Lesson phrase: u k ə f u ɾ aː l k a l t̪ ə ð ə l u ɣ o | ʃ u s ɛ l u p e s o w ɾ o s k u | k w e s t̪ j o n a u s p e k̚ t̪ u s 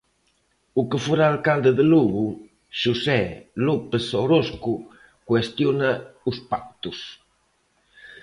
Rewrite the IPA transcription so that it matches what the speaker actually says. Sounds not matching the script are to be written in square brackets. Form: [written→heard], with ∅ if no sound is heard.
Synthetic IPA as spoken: u k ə f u ɾ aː l k a l [t̪→d̪] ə ð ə l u ɣ [o→u] | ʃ u s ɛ l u p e s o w ɾ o s k u | k w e s t̪ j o n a u s p [e→a] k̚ t̪ u s